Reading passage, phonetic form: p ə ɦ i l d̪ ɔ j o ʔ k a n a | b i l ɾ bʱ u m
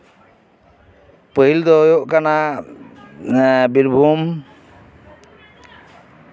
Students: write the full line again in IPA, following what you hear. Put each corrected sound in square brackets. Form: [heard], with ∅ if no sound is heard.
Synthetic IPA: p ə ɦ i l d̪ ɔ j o ʔ k a n a | b i [∅] ɾ bʱ u m